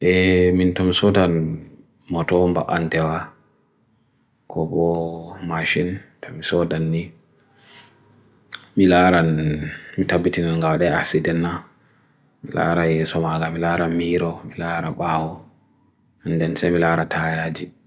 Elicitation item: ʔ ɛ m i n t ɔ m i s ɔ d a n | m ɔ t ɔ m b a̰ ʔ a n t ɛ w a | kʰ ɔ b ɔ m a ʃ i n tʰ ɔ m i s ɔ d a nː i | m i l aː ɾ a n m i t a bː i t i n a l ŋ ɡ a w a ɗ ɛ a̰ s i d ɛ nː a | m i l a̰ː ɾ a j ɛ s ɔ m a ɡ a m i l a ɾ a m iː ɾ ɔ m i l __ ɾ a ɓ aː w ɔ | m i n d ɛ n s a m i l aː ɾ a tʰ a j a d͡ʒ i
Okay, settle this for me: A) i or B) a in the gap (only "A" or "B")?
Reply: B